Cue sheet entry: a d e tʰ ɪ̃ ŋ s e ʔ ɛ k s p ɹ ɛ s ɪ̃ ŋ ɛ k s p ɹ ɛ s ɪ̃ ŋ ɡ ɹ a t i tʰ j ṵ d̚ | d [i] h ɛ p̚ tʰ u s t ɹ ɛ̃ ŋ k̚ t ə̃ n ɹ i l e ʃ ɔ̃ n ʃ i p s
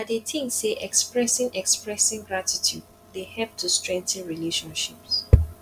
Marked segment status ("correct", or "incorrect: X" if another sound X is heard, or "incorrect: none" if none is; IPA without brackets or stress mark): incorrect: e